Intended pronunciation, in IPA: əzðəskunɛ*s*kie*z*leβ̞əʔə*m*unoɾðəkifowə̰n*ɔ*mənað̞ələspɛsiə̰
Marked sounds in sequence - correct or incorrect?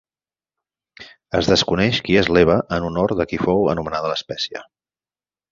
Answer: incorrect: ʃ, correct, incorrect: n, incorrect: u

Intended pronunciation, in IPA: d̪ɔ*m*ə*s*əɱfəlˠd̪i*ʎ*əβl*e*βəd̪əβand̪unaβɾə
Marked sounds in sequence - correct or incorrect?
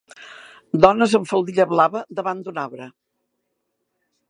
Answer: incorrect: n, incorrect: z, correct, incorrect: a

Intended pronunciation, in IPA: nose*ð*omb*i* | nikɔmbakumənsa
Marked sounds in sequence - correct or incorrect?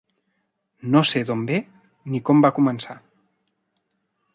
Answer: correct, incorrect: e

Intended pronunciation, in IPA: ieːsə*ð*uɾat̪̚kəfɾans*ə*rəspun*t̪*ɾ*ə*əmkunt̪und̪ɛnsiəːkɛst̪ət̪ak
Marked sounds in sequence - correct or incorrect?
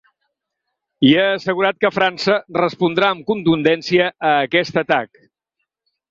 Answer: incorrect: ɣ, correct, incorrect: d̪, incorrect: a

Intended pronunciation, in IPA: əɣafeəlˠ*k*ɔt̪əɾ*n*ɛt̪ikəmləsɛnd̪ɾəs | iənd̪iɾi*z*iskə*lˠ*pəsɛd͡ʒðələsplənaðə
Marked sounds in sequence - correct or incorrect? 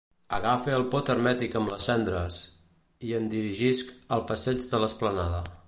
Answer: incorrect: p, incorrect: m, incorrect: ʒ, correct

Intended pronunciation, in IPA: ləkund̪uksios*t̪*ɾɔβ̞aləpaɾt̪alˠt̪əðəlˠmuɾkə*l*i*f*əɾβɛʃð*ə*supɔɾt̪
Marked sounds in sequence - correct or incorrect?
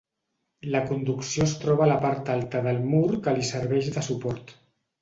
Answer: correct, correct, incorrect: s, correct

